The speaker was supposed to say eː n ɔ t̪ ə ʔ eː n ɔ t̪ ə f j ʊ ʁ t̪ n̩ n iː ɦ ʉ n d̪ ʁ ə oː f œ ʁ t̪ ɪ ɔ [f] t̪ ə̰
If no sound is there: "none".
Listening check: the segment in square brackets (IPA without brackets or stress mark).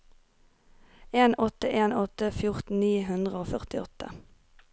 none